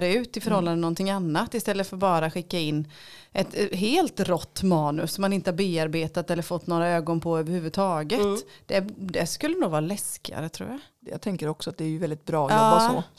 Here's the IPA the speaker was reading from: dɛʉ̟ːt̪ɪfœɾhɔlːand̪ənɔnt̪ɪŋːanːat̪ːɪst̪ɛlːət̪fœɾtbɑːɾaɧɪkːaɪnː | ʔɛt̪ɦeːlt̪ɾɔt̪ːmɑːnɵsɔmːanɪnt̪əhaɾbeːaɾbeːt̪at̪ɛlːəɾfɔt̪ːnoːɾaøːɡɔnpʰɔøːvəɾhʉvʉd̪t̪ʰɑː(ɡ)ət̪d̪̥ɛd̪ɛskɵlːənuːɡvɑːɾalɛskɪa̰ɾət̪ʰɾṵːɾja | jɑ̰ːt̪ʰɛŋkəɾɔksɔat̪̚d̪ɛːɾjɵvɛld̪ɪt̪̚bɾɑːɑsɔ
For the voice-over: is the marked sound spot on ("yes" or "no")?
yes